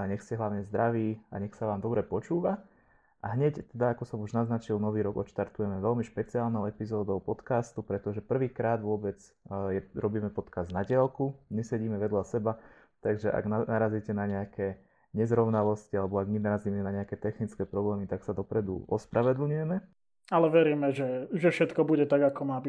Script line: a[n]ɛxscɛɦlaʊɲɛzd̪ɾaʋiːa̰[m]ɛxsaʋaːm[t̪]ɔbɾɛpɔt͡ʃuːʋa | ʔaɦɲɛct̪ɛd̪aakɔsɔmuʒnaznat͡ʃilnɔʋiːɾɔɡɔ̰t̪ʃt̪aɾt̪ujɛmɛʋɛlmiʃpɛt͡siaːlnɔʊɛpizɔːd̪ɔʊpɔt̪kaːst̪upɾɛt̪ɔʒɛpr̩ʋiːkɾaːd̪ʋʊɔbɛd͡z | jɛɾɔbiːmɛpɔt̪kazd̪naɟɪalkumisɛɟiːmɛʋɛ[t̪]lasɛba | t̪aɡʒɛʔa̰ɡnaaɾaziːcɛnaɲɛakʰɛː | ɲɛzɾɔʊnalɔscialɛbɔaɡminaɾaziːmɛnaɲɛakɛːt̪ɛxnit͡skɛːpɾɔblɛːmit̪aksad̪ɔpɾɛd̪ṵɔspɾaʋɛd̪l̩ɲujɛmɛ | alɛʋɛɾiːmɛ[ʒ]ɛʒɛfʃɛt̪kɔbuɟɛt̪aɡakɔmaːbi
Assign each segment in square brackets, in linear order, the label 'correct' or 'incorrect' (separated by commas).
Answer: incorrect, incorrect, incorrect, incorrect, correct